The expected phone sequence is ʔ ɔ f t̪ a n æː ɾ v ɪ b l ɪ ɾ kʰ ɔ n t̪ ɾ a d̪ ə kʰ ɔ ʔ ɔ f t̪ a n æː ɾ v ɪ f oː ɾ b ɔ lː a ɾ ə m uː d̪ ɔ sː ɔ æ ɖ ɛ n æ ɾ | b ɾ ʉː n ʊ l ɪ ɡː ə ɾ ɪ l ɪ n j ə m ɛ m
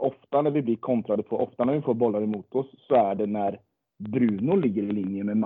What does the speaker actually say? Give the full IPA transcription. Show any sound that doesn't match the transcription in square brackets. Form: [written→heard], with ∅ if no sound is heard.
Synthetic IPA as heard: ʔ ɔ f t̪ a n [æː→æ] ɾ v ɪ b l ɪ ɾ kʰ ɔ n t̪ ɾ a d̪ ə [kʰ→pʰ] ɔ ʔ ɔ f t̪ a n [æː→æ] ɾ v ɪ f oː ɾ b ɔ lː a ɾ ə m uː [d̪→t̪] ɔ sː ɔ æ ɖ ɛ n æ ɾ | b ɾ ʉː n ʊ l ɪ ɡː ə ɾ ɪ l ɪ n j ə m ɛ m